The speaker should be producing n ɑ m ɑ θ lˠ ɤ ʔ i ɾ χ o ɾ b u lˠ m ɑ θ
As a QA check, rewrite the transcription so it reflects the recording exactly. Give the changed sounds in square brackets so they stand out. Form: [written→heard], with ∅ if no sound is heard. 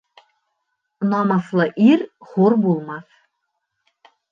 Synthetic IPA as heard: n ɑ m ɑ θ lˠ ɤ ʔ i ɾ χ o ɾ b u lˠ m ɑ θ